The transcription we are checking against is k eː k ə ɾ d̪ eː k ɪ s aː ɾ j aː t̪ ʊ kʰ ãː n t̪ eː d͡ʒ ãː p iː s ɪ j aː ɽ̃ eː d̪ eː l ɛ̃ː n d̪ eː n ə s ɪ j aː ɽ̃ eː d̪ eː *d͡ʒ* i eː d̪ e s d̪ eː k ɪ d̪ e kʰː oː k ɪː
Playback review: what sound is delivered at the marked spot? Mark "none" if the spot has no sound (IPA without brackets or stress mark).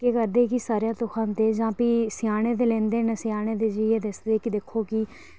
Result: d͡ʒ